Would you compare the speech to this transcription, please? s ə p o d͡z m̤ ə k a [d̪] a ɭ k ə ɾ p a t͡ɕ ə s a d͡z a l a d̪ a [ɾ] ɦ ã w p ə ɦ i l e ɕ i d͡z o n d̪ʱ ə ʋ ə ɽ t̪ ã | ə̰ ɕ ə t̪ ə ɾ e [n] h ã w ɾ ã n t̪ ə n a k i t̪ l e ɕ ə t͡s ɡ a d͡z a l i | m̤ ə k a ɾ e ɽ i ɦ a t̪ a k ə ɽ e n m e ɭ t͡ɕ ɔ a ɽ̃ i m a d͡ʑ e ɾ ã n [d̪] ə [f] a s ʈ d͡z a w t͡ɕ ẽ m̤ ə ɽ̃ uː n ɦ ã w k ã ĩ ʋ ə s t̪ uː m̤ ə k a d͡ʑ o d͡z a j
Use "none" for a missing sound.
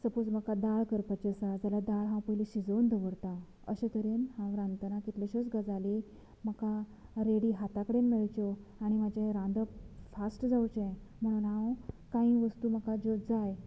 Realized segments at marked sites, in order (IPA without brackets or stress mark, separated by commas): d̪, ɭ, n, d̪, f